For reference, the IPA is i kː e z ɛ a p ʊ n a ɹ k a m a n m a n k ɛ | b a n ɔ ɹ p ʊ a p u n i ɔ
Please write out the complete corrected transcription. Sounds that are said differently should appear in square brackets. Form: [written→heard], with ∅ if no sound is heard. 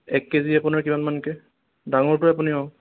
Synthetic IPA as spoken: [i→ɛ] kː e z [ɛ→i] a p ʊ n a ɹ k [a→i] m a n m a n k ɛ | [b→d] a [n→ŋ] ɔ ɹ [p→t] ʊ a p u n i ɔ